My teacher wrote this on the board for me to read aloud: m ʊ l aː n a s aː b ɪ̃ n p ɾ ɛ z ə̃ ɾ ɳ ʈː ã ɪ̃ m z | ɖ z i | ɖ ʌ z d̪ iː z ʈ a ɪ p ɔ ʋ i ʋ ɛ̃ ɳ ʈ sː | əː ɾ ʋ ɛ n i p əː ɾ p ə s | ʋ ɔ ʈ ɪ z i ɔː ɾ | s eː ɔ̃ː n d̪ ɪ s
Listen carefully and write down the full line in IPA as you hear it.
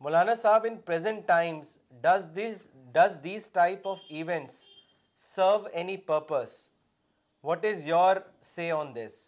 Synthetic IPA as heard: m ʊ l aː n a s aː b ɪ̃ n p ɾ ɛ z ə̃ ɳ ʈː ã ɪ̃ m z | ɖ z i | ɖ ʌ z d̪ iː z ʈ a ɪ p ɔ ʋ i ʋ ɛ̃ ɳ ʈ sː | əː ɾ ʋ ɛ n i p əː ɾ p ə s | ʋ ɔ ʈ ɪ z j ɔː ɾ | s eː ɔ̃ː n d̪ ɪ s